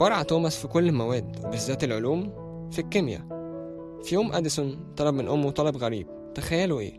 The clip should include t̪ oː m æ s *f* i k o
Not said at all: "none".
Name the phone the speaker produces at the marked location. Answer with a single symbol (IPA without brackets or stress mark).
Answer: f